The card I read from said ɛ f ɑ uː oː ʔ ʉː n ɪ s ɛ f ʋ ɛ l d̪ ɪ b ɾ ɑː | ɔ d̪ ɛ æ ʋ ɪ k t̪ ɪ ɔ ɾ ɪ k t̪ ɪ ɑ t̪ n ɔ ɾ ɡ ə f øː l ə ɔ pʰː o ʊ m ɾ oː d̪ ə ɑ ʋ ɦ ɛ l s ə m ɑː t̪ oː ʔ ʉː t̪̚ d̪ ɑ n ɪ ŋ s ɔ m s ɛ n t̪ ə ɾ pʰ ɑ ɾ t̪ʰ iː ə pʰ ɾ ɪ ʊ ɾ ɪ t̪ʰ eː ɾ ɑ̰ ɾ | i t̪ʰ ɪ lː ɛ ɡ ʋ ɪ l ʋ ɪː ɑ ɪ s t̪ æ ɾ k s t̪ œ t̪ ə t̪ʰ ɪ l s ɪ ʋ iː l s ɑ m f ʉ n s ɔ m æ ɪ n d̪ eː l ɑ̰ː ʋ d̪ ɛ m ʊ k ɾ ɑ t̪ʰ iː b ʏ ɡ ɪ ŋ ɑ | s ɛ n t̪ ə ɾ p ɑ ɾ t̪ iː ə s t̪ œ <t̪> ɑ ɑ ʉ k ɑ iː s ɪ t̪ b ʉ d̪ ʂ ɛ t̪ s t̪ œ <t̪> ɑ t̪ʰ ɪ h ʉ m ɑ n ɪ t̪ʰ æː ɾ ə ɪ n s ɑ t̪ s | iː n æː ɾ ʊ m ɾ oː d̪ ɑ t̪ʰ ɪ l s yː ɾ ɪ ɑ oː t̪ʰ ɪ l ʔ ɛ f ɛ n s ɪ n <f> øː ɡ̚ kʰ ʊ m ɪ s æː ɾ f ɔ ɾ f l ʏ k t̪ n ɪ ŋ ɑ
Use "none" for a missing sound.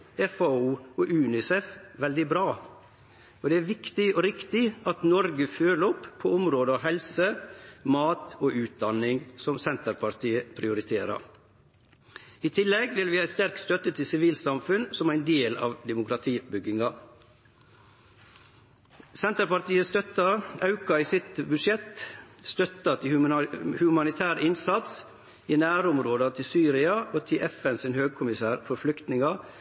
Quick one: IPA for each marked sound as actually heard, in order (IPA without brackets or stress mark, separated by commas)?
t̪, t̪, h